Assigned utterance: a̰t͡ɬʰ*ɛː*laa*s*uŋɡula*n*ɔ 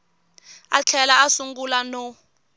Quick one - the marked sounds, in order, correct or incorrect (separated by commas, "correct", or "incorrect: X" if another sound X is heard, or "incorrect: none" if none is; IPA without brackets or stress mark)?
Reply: incorrect: ɛ, correct, correct